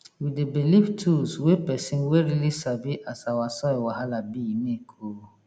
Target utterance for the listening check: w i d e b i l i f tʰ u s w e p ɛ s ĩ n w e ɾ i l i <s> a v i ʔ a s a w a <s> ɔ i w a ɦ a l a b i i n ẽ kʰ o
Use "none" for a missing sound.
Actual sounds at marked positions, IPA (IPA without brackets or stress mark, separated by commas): s, s